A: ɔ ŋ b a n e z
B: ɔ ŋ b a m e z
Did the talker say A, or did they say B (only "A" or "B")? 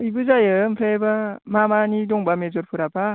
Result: B